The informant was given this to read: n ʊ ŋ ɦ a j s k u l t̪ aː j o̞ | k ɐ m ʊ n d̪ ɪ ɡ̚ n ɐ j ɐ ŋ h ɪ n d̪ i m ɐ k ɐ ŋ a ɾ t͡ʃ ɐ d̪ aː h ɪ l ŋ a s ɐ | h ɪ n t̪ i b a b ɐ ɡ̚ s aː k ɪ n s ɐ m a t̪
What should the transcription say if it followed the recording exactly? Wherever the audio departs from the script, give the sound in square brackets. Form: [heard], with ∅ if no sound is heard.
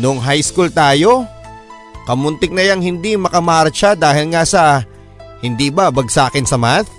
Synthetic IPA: n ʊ ŋ ɦ a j s k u l t̪ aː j o̞ | k ɐ m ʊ n [t̪] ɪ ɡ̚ n ɐ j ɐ ŋ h ɪ n d̪ i m ɐ k ɐ [m] a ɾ t͡ʃ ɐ d̪ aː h ɪ l ŋ a s ɐ | h ɪ n [d̪] i b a b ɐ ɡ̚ s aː k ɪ n s ɐ m a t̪